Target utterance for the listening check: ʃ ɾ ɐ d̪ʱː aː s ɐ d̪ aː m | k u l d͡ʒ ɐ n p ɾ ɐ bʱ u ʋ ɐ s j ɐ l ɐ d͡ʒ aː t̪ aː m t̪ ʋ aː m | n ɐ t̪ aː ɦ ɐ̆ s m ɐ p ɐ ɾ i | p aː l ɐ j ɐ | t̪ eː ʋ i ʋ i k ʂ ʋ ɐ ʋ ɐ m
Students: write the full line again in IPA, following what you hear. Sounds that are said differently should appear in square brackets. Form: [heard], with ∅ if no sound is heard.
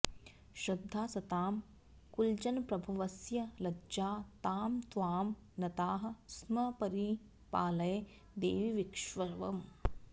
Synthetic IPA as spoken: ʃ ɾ ɐ d̪ʱː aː s ɐ [t̪] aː m | k u l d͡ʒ ɐ n p ɾ ɐ bʱ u ʋ ɐ s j ɐ l ɐ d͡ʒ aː t̪ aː m t̪ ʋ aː m | n ɐ t̪ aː ɦ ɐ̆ s m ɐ p ɐ ɾ i | p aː l ɐ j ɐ | [d̪] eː ʋ i ʋ i k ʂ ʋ ɐ ʋ ɐ m